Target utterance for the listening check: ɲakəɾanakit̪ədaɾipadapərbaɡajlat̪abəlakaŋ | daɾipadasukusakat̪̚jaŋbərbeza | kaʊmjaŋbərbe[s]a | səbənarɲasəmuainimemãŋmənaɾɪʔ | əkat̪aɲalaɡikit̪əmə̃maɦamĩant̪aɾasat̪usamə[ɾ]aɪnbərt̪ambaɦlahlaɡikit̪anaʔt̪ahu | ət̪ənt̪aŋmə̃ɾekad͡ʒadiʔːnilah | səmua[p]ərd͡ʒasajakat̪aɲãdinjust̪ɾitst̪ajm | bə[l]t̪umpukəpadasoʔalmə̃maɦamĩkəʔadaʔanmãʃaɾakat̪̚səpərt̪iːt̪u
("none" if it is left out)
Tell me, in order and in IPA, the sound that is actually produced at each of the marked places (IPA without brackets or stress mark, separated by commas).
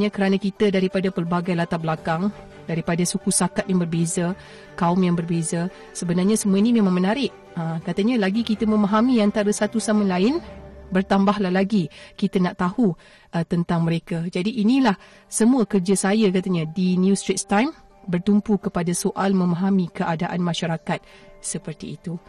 z, l, k, r